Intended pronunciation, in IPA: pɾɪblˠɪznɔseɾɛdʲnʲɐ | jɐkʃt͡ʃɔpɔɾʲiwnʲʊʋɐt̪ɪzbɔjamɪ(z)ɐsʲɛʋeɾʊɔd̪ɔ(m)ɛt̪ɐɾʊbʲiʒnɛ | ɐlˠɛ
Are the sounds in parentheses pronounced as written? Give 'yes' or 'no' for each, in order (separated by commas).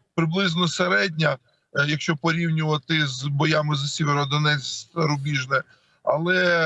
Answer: yes, no